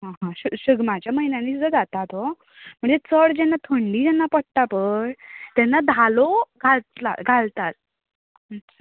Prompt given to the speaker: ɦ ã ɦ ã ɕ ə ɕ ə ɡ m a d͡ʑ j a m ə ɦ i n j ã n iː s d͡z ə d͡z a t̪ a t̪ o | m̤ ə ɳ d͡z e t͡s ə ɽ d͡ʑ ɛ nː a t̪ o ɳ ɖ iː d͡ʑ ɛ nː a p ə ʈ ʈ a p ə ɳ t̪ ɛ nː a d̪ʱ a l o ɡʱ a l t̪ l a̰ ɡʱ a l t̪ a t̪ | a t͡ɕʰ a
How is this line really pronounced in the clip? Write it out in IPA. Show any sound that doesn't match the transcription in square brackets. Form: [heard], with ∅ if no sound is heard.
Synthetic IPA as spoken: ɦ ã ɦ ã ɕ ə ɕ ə ɡ m a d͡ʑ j a m ə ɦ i n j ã n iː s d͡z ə d͡z a t̪ a t̪ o | m̤ ə ɳ d͡z e t͡s ə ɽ d͡ʑ ɛ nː a [t̪ʰ] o ɳ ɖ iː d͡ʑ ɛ nː a p ə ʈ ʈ a p ə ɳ t̪ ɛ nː a d̪ʱ a l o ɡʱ a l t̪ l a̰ ɡʱ a l t̪ a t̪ | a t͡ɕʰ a

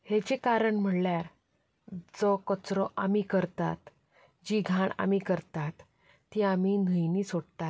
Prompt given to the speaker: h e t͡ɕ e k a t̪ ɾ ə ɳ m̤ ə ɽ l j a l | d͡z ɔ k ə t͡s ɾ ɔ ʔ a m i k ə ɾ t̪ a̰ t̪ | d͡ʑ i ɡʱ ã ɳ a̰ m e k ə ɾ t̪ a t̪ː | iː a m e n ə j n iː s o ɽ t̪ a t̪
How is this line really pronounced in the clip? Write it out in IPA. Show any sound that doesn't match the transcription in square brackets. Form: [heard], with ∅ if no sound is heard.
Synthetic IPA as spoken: h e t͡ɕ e k a [∅] ɾ ə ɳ m̤ ə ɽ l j a [ɾ] | d͡z ɔ k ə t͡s ɾ ɔ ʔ a m i k ə ɾ t̪ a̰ t̪ | d͡ʑ i ɡʱ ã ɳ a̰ m [i] k ə ɾ t̪ a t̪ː | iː a m [i] n ə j n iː s o ɽ t̪ a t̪

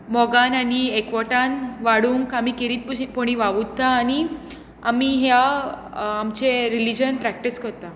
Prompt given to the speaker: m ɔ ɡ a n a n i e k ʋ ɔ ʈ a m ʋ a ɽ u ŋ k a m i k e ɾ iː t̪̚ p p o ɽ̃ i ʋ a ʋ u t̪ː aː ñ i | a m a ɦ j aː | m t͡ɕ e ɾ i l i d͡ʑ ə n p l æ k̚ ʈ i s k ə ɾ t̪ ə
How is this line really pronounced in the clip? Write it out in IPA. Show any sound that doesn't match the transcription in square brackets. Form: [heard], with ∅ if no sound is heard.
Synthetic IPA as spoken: m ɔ ɡ a n a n i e k ʋ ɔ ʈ a [n] ʋ a ɽ u ŋ k a m i k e ɾ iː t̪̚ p p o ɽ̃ i ʋ a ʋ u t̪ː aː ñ i | a m [i] ɦ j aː | m t͡ɕ e ɾ i l i d͡ʑ ə n p [ɾ] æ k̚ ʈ i s k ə ɾ t̪ [a]

